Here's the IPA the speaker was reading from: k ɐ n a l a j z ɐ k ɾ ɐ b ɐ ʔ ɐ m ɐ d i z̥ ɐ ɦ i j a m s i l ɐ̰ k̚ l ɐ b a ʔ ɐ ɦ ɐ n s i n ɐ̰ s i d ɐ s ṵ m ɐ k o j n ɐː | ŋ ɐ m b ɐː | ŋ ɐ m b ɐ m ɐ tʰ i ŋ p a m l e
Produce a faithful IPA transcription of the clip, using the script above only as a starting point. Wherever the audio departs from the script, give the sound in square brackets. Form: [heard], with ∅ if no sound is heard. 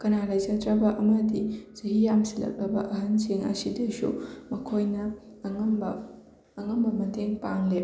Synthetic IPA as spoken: k ɐ n a l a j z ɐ [t] ɾ ɐ b ɐ ʔ ɐ m ɐ d i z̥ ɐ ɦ i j a m s i l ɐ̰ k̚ l ɐ b [ɐ] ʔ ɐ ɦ ɐ n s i [ŋ] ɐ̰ s i d ɐ s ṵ m ɐ [kʰ] o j n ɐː | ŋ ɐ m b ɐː | ŋ ɐ m b ɐ m ɐ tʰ [e] ŋ p a [ŋ] l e